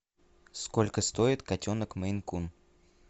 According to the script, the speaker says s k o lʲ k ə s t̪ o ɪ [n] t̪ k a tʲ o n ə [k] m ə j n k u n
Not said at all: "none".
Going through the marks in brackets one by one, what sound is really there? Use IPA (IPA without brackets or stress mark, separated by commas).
none, k